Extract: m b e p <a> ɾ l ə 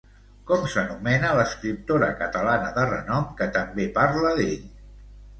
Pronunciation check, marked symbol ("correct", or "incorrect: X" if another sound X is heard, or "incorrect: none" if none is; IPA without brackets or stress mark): correct